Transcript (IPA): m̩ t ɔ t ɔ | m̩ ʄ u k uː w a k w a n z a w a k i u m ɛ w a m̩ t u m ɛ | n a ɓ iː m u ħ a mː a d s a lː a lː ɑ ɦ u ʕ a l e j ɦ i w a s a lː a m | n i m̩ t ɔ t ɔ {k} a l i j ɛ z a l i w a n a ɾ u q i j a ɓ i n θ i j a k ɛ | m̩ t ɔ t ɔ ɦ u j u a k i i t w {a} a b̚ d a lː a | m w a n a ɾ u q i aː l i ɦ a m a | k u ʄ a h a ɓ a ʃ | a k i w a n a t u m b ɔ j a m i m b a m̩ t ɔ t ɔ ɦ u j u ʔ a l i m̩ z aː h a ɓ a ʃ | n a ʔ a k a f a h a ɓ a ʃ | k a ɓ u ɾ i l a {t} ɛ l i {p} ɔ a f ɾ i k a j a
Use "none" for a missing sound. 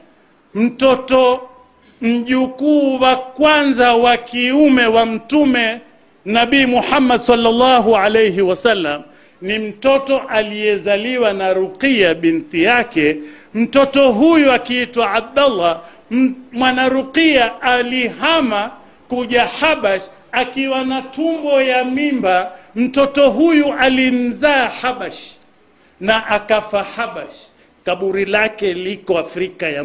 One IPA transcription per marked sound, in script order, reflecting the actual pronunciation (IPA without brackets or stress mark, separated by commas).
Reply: ʔ, a, k, k